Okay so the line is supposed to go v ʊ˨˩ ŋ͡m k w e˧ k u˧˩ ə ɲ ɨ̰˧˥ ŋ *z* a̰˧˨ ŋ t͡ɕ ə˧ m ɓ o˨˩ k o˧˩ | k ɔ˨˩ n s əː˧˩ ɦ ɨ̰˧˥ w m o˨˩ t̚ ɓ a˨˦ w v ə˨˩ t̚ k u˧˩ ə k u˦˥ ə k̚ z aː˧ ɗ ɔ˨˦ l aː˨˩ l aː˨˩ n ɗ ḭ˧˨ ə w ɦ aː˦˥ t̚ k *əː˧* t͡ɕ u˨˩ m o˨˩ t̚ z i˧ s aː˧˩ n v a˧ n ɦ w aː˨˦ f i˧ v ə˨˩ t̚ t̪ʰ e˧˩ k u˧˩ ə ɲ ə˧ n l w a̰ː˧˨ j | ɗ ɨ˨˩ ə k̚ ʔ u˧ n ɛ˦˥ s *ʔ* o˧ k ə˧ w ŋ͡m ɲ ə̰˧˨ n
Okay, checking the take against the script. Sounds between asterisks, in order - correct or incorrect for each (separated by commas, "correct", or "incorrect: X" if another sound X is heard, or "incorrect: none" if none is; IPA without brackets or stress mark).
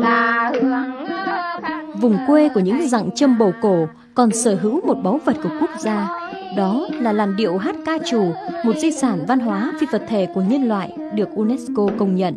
correct, incorrect: aː˧, incorrect: k